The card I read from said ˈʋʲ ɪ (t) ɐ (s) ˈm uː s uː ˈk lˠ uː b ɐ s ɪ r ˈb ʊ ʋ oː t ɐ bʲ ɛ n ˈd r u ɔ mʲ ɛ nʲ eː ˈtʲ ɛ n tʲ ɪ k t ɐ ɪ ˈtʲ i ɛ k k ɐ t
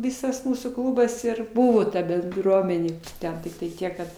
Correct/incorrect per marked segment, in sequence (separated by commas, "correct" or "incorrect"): incorrect, correct